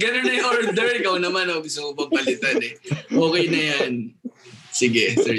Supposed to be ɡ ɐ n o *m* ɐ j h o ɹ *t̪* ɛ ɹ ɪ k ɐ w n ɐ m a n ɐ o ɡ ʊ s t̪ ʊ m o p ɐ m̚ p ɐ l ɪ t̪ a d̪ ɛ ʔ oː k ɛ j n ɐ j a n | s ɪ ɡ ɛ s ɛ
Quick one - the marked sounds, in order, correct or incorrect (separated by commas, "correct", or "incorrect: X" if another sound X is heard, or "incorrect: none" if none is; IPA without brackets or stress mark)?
incorrect: n, incorrect: d̪